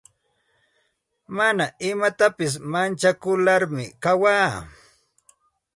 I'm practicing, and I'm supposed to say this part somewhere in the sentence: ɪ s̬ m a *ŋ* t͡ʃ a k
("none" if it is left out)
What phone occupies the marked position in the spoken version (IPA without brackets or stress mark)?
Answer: n